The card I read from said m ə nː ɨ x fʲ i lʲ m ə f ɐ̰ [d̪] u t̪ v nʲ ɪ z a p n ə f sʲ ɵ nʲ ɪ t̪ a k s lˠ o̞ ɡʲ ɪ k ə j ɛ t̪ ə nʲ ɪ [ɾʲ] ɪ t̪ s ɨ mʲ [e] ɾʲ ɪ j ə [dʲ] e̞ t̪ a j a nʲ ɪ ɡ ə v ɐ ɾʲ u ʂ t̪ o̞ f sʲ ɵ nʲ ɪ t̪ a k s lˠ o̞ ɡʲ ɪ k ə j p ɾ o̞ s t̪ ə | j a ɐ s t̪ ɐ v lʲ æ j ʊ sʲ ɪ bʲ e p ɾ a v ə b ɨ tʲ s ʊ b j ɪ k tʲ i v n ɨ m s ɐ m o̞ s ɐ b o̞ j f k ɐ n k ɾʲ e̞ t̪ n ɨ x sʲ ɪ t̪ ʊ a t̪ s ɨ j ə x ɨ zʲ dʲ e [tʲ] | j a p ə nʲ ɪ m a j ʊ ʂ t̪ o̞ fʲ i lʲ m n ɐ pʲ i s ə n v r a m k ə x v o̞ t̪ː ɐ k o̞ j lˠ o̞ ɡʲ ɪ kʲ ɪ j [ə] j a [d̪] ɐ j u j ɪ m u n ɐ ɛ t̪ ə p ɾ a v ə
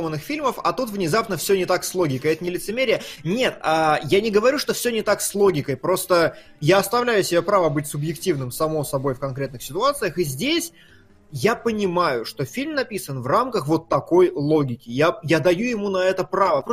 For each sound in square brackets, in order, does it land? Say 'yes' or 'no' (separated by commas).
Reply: no, no, yes, no, no, no, yes